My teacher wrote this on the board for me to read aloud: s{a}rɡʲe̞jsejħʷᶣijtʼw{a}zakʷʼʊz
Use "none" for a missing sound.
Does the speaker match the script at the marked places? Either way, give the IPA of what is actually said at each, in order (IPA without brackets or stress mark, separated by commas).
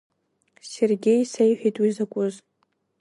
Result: e, i